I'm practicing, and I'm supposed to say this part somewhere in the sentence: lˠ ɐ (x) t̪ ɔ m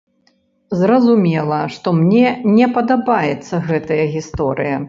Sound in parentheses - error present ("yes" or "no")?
yes